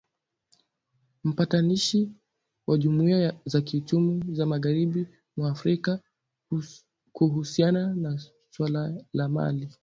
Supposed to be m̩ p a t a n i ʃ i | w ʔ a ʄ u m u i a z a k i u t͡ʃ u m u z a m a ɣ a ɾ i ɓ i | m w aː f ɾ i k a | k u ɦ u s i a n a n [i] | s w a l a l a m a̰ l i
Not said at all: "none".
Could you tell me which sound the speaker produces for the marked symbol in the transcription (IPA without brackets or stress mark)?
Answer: a